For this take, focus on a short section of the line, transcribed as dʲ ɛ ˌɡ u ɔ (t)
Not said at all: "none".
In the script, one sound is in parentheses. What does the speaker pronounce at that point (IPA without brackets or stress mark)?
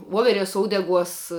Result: s